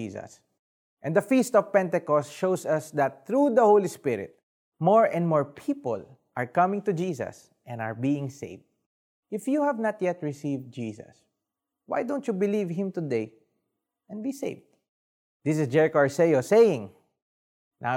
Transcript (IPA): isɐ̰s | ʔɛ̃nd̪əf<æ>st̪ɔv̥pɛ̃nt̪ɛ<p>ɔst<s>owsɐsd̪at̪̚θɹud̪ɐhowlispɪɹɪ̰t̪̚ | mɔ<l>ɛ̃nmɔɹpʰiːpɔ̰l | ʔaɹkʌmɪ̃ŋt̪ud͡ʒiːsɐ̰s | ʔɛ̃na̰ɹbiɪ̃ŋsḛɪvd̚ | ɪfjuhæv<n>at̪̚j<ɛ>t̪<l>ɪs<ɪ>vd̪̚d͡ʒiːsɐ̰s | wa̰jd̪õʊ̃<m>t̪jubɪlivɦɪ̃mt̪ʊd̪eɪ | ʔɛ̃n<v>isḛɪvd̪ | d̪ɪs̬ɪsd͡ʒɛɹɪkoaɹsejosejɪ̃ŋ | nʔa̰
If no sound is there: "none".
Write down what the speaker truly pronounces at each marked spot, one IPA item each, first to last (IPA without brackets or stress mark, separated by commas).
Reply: i, k, ʃ, ɹ, n, ɛ, ɹ, i, n, b